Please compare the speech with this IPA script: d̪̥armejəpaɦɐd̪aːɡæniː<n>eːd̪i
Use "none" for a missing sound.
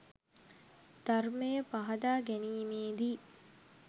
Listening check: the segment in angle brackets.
m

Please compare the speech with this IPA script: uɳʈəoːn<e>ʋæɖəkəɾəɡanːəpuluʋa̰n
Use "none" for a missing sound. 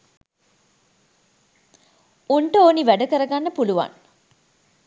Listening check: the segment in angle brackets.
i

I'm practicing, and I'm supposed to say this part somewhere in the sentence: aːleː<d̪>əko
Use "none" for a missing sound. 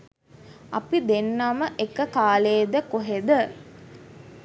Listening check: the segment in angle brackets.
d̪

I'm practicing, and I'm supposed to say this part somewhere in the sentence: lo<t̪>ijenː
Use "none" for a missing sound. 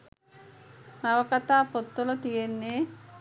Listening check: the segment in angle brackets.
t̪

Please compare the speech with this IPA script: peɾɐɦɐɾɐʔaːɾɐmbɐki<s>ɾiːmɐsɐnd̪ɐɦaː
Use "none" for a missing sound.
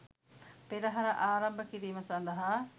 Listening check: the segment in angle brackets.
none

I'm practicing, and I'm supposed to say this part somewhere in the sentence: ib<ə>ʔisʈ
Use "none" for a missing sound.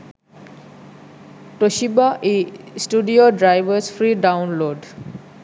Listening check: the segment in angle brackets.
a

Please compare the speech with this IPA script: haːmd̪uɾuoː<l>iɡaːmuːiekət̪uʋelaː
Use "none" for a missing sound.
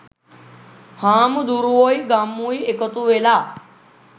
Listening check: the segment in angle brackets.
none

